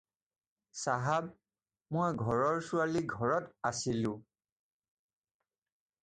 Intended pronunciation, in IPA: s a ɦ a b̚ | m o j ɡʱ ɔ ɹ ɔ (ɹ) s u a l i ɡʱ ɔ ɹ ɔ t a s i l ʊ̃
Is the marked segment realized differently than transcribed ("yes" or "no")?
no